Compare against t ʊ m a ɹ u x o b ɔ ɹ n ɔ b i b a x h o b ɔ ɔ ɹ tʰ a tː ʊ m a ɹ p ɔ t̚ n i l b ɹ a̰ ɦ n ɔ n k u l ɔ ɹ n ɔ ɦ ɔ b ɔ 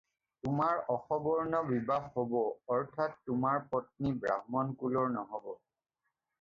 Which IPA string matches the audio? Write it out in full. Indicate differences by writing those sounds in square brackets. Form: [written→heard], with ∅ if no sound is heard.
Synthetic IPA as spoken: t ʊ m a ɹ [u→ɔ] x [o→ɔ] b ɔ ɹ n ɔ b i b a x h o b ɔ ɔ ɹ tʰ a tː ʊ m a ɹ p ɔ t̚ n i [l→∅] b ɹ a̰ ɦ [n→m] ɔ n k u l ɔ ɹ n ɔ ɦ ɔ b ɔ